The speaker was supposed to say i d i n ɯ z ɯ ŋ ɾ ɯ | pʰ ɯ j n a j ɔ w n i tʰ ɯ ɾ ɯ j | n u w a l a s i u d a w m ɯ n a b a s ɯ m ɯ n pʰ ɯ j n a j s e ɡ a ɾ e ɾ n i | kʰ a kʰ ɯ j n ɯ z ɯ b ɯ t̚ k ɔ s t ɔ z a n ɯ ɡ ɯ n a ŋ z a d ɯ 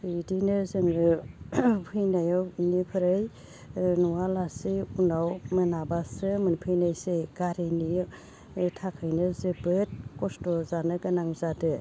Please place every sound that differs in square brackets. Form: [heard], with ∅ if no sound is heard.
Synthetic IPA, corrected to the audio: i d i n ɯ z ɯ ŋ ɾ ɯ | pʰ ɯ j n a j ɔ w n i [pʰ] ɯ ɾ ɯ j | n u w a l a s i u [n] a w m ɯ n a b a s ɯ m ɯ n pʰ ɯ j n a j s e ɡ a ɾ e [∅] n i | [tʰ] a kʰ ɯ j n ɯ z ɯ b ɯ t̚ k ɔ s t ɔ z a n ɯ ɡ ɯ n a ŋ z a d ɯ